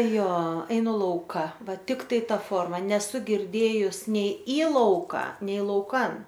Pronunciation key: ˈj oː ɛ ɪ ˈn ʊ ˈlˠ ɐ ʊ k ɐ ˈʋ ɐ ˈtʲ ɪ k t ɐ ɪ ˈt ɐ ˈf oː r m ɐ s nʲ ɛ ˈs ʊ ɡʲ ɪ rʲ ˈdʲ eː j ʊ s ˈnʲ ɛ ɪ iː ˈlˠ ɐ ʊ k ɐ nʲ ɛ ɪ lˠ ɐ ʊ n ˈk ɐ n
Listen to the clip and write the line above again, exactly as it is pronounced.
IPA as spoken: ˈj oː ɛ ɪ ˈn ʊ ˈlˠ ɐ ʊ k ɐ ˈʋ ɐ ˈtʲ ɪ k t ɐ ɪ ˈt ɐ ˈf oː r m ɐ nʲ ɛ ˈs ʊ ɡʲ ɪ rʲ ˈdʲ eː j ʊ s ˈnʲ ɛ ɪ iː ˈlˠ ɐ ʊ k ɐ nʲ ɛ ɪ lˠ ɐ ʊ ˈk ɐ n